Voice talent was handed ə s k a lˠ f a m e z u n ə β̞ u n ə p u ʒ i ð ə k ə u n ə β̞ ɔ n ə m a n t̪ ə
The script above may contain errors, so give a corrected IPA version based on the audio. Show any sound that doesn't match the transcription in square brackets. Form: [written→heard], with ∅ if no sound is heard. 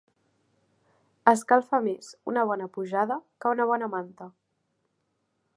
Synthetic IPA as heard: ə s k a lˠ f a m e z u n ə β̞ [u→ɔ] n ə p u ʒ [i→a] ð ə k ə u n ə β̞ ɔ n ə m a n t̪ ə